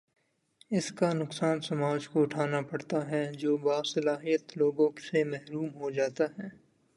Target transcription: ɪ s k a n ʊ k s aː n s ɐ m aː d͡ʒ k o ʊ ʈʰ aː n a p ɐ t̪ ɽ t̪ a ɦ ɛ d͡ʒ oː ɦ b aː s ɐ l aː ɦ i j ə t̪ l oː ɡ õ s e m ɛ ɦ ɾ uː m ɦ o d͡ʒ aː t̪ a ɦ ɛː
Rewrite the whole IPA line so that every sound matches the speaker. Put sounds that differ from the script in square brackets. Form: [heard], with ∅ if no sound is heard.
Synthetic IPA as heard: ɪ s k a n ʊ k s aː n s ɐ m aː d͡ʒ k o ʊ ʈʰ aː n a p ɐ [∅] ɽ t̪ a ɦ ɛ d͡ʒ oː [∅] b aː s ɐ l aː ɦ i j ə t̪ l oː ɡ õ s e m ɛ ɦ ɾ uː m ɦ o d͡ʒ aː t̪ a ɦ ɛː